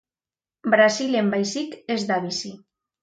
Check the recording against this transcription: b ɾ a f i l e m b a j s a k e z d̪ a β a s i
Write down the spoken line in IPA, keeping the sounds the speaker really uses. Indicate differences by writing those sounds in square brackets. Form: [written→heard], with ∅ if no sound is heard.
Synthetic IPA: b ɾ a [f→s] i l e m b a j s [a→i] k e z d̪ a β [a→i] s i